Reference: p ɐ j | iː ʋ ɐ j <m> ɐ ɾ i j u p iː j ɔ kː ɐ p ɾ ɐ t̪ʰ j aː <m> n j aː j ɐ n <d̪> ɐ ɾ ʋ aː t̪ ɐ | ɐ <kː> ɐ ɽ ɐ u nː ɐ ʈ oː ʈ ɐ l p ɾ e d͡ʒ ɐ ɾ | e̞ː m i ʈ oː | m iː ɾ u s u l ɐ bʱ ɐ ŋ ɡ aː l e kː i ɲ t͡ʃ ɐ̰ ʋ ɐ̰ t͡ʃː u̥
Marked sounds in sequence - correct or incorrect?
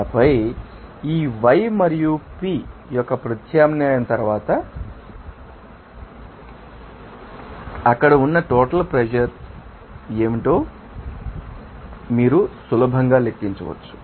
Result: correct, correct, incorrect: t̪, correct

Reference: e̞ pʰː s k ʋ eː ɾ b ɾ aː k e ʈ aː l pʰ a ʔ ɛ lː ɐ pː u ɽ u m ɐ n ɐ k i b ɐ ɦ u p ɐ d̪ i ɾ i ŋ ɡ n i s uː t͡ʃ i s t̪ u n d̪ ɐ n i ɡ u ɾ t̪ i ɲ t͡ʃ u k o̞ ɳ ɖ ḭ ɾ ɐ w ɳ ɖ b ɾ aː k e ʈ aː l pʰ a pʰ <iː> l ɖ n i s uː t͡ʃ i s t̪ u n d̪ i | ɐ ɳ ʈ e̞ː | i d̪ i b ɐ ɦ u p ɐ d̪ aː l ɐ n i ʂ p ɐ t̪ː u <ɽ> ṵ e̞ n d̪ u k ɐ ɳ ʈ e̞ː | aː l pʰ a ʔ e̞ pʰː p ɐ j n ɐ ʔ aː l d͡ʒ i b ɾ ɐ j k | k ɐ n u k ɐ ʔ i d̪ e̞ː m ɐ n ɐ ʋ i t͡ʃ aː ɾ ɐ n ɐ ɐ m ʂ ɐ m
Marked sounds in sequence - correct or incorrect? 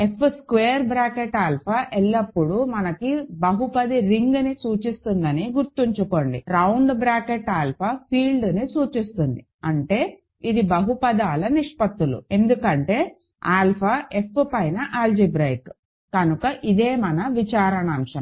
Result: correct, incorrect: l

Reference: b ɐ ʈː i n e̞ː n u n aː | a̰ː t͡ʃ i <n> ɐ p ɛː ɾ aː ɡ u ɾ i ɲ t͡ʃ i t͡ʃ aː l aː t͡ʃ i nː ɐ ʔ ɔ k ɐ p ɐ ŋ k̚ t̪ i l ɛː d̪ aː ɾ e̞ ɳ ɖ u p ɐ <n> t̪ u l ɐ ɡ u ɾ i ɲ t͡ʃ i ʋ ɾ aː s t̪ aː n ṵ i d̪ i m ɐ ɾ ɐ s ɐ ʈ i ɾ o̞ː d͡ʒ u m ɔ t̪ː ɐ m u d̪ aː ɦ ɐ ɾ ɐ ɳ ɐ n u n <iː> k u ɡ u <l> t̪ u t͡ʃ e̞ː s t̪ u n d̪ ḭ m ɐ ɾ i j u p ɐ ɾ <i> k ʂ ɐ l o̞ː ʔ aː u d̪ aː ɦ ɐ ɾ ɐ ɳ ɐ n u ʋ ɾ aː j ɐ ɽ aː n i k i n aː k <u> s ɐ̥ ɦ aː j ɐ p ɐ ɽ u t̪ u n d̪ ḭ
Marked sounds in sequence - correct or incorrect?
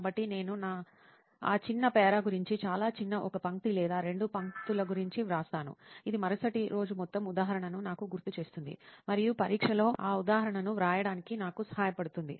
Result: incorrect: nː, incorrect: ŋ, incorrect: aː, incorrect: ɾ, incorrect: iː, correct

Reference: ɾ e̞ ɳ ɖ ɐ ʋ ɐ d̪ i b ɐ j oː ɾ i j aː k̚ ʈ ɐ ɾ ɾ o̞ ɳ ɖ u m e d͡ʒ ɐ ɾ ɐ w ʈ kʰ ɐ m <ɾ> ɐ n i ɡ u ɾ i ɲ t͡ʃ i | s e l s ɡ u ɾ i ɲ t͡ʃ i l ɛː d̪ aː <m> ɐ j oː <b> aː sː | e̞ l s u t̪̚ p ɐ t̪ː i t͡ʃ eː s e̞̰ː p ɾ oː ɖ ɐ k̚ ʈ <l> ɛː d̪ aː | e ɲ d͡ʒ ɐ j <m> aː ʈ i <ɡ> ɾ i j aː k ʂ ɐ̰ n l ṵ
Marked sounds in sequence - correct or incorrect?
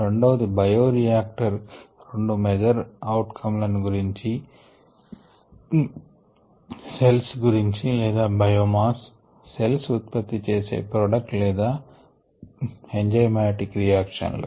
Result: incorrect: l, incorrect: b, incorrect: m, correct, correct, incorrect: k

